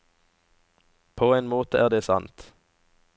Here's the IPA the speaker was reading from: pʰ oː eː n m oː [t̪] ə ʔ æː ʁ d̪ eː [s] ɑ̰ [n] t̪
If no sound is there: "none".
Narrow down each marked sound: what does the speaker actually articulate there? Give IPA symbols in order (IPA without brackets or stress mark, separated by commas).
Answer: t̪, s, n